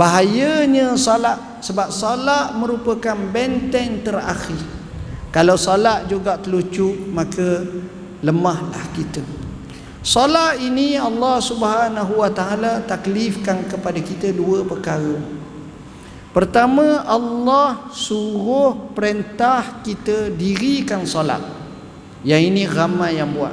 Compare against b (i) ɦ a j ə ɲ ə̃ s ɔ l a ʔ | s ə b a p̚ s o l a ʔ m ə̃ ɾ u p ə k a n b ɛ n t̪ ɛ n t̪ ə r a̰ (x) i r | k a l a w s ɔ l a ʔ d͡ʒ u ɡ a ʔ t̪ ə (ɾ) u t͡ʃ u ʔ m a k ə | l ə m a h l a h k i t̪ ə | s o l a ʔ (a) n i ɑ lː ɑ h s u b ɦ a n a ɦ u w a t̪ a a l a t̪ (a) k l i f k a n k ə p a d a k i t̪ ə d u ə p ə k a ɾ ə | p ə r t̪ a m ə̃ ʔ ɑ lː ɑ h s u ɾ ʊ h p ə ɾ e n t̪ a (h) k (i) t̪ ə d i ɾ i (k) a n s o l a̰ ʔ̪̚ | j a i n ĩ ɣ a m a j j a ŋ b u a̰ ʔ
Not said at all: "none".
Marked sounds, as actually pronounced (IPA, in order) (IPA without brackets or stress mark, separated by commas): a, x, l, i, a, h, i, k